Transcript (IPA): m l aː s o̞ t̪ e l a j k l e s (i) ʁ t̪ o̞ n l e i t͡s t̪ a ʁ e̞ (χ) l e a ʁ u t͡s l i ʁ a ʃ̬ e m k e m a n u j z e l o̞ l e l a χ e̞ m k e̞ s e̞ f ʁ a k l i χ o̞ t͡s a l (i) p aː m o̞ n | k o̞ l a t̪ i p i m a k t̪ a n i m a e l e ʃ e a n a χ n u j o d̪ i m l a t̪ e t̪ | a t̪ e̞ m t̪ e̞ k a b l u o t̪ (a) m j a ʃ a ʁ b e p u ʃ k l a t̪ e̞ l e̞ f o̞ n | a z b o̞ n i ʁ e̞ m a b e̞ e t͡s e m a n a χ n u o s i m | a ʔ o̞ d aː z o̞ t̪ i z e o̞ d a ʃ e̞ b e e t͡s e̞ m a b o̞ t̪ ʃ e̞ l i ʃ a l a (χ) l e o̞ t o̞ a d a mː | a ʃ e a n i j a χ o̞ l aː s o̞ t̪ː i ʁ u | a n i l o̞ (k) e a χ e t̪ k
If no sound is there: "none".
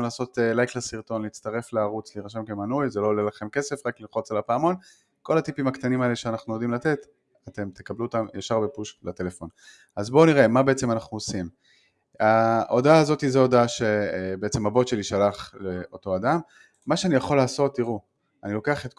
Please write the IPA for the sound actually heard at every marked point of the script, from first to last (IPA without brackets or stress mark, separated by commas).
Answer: i, f, a, a, χ, k